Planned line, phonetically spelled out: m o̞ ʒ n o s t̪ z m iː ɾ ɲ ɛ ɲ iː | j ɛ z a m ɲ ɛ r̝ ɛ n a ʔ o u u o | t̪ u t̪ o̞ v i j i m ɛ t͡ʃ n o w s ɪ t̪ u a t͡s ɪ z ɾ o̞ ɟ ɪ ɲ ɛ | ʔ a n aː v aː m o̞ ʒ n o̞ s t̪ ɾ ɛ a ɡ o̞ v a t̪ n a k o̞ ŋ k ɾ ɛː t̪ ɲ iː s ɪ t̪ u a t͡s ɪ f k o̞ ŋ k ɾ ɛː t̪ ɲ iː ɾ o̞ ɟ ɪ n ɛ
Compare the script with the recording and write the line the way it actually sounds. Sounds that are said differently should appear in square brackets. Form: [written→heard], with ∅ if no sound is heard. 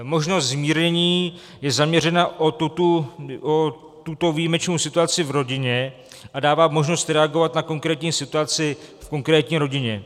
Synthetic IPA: m o̞ ʒ n o s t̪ z m iː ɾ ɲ ɛ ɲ iː | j ɛ z a m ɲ ɛ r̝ ɛ n a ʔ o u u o | t̪ u t̪ o̞ v i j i m ɛ t͡ʃ n o w s ɪ t̪ u a t͡s ɪ [z→v] ɾ o̞ ɟ ɪ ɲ ɛ | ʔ a [n→d] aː v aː m o̞ ʒ n o̞ s t̪ ɾ ɛ a ɡ o̞ v a t̪ n a k o̞ ŋ k ɾ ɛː t̪ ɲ iː s ɪ t̪ u a t͡s ɪ f k o̞ ŋ k ɾ ɛː t̪ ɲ iː ɾ o̞ ɟ ɪ [n→ɲ] ɛ

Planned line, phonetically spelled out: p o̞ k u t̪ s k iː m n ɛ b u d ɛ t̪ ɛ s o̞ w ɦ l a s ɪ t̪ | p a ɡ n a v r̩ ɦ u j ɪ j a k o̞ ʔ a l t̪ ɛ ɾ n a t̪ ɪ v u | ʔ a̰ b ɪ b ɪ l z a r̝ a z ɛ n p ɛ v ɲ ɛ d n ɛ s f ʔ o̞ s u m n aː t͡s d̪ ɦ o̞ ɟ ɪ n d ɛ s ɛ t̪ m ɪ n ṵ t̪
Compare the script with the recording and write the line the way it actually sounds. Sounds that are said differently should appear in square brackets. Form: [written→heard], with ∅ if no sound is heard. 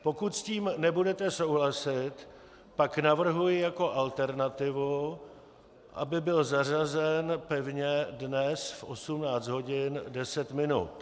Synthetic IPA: p o̞ k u t̪ s [k→c] iː m n ɛ b u d ɛ t̪ ɛ s o̞ w ɦ l a s ɪ t̪ | p a [ɡ→k] n a v r̩ ɦ u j ɪ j a k o̞ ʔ a l t̪ ɛ ɾ n a t̪ ɪ v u | ʔ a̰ b ɪ b ɪ l z a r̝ a z ɛ n p ɛ v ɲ ɛ d n ɛ s f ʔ o̞ s u m n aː t͡s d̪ ɦ o̞ ɟ ɪ n d ɛ s ɛ t̪ m ɪ n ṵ t̪

